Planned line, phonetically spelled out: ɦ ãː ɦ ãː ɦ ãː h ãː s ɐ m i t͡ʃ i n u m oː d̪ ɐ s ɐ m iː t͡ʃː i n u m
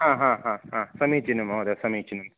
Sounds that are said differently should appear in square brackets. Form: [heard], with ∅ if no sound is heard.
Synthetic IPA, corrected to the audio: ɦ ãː ɦ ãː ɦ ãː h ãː s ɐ m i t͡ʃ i n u m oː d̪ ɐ s ɐ m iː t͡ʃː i n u m